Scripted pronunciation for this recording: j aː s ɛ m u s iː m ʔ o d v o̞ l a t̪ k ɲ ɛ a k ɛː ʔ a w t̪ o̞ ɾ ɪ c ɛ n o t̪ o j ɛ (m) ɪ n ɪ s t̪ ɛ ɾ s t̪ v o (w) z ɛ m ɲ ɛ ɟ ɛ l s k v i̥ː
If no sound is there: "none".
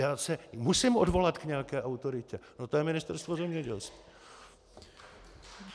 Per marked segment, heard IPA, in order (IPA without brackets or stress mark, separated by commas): m, none